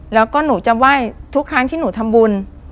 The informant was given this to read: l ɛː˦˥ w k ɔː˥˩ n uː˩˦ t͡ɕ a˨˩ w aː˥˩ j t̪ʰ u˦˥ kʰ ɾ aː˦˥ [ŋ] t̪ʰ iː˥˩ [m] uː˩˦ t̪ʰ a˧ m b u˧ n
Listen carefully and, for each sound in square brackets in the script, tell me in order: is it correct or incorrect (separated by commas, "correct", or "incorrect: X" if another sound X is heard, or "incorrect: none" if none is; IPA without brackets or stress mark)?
correct, incorrect: n